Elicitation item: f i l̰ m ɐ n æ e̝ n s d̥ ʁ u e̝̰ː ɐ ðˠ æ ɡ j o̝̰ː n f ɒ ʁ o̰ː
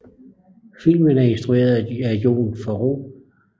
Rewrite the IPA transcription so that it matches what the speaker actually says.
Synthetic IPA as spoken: f i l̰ m ə n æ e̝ n s d̥ ʁ u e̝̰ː ɐ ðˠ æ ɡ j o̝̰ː n f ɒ ʁ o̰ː